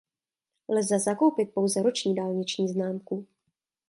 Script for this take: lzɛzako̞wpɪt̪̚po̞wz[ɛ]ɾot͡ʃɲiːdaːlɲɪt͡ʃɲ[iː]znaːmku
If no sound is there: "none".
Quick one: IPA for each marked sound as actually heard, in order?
ɛ, iː

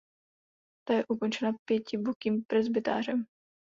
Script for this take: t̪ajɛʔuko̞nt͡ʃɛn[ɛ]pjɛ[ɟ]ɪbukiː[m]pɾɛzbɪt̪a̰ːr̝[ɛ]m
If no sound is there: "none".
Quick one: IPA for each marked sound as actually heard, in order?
a, c, m, ɛ

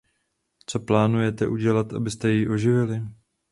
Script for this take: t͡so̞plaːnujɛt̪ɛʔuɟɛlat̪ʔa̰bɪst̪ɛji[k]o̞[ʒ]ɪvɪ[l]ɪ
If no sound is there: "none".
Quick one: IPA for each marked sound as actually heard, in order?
ʔ, ʒ, l

